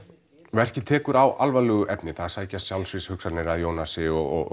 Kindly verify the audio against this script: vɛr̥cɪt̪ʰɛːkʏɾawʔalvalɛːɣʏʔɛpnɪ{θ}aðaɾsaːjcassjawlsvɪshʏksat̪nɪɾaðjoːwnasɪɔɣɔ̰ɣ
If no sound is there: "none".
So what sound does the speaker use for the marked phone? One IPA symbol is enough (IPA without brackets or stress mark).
θ